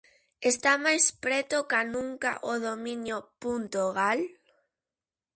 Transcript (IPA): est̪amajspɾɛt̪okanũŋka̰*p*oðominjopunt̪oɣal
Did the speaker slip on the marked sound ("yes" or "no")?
yes